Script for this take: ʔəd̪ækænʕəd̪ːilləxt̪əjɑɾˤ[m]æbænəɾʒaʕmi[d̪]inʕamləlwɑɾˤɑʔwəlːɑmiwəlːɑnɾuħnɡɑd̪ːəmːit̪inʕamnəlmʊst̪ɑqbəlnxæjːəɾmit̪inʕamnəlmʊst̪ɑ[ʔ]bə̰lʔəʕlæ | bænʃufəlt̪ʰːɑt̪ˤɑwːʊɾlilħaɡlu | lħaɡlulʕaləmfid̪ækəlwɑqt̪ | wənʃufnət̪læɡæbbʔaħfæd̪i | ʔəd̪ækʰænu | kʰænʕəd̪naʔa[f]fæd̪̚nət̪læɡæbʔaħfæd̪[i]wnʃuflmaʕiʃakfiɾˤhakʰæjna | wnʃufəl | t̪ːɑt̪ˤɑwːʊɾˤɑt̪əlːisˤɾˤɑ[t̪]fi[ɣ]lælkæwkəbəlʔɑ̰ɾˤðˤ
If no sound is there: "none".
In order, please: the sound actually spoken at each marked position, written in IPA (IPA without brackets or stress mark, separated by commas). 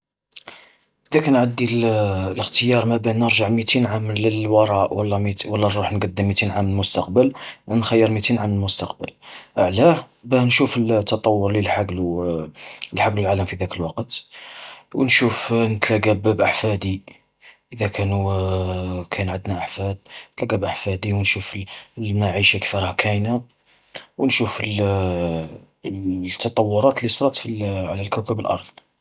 m, t̪, q, ħ, i, t̪, ʕ